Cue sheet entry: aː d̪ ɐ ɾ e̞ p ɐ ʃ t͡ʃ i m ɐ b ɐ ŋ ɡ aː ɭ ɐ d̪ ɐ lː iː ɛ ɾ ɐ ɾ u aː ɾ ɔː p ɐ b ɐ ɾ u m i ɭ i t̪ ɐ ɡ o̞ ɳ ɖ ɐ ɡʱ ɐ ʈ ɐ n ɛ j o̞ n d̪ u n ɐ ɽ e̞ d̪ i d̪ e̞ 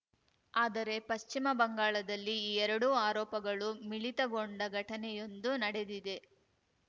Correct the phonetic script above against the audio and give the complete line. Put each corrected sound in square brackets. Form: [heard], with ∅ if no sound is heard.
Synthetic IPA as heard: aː d̪ ɐ ɾ e̞ p ɐ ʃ t͡ʃ i m ɐ b ɐ ŋ ɡ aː ɭ ɐ d̪ ɐ lː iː ɛ ɾ ɐ [ɽ] u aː ɾ ɔː p ɐ [ɡ] ɐ [ɭ] u m i ɭ i t̪ ɐ ɡ o̞ ɳ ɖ ɐ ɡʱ ɐ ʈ ɐ n ɛ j o̞ n d̪ u n ɐ ɽ e̞ d̪ i d̪ e̞

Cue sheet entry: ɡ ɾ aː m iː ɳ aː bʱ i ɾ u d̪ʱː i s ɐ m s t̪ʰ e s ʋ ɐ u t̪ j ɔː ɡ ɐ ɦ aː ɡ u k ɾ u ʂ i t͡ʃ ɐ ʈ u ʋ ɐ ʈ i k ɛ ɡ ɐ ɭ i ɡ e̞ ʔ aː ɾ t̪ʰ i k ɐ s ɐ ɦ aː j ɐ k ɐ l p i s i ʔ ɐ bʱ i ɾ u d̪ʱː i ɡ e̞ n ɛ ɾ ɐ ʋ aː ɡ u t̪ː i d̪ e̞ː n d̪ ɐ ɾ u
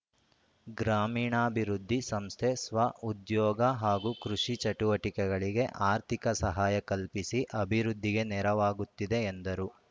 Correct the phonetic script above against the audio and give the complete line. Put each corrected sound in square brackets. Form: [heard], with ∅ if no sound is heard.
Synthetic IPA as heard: ɡ ɾ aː m iː ɳ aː bʱ i ɾ u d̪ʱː i s ɐ m s t̪ʰ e s ʋ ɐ u [d̪] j ɔː ɡ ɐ ɦ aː ɡ u k ɾ u ʂ i t͡ʃ ɐ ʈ u ʋ ɐ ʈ i k ɛ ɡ ɐ ɭ i ɡ e̞ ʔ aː ɾ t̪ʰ i k ɐ s ɐ ɦ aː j ɐ k ɐ l p i s i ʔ ɐ bʱ i ɾ u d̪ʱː i ɡ e̞ n ɛ ɾ ɐ ʋ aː ɡ u t̪ː i d̪ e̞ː n d̪ ɐ ɾ u

